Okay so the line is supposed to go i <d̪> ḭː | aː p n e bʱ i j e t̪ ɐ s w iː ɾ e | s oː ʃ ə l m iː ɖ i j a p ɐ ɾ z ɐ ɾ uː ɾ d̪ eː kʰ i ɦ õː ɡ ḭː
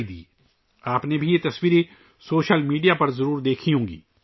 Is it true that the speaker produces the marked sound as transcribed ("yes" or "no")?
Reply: yes